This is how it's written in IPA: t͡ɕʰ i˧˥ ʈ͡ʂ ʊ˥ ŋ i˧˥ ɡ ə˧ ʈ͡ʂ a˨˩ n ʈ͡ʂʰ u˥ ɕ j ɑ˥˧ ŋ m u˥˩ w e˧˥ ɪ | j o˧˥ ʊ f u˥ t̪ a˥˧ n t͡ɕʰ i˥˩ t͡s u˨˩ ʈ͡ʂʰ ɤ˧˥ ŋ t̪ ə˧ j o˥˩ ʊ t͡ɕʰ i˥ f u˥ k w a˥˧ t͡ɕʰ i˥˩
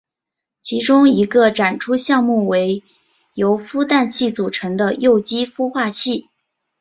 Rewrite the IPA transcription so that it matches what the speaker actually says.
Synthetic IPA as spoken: t͡ɕʰ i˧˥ ʈ͡ʂ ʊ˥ ŋ i˧˥ ɡ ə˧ ʈ͡ʂ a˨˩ n ʈ͡ʂʰ u˥ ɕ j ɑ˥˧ ŋ m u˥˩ w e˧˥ ɪ | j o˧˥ ʊ f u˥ t̪ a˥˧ n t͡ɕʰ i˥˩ t͡s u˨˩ ʈ͡ʂʰ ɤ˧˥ ŋ d̪ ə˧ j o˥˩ ʊ t͡ɕ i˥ f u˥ x w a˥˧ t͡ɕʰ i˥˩